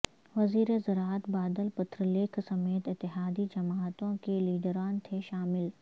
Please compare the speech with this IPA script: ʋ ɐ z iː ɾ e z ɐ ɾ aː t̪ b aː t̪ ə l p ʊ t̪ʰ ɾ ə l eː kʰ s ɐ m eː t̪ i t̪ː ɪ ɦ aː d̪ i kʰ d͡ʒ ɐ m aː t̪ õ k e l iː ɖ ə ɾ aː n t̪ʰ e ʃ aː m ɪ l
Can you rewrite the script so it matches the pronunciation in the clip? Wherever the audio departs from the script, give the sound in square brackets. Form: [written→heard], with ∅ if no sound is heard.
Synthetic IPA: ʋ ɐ z iː ɾ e z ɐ ɾ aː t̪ b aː [t̪→d̪] ə l p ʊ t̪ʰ ɾ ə l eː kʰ s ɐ m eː t̪ [i→ɪ] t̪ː ɪ ɦ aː d̪ i [kʰ→∅] d͡ʒ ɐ m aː t̪ õ k e l iː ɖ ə ɾ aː n t̪ʰ e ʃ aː m ɪ l